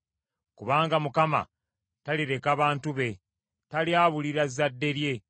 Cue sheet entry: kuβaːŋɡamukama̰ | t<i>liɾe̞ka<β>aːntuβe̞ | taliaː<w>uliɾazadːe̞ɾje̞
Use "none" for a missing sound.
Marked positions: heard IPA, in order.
a, β, β

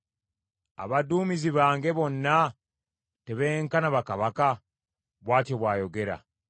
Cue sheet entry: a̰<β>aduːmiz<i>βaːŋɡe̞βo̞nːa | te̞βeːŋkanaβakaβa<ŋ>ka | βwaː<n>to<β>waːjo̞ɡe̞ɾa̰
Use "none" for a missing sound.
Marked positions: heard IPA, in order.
β, i, none, none, β

